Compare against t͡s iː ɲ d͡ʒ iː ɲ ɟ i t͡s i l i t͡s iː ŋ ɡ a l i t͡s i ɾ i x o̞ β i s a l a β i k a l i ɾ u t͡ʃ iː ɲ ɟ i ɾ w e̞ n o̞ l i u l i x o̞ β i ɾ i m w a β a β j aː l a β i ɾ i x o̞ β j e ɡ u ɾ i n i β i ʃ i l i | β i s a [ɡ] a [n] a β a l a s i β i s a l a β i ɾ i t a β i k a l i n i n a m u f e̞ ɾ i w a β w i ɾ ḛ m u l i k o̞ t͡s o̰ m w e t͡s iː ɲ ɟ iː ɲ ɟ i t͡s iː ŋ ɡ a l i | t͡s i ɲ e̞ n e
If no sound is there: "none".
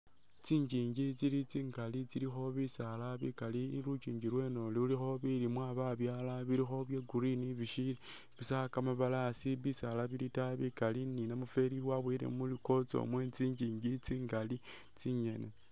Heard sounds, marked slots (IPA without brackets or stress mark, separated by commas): k, m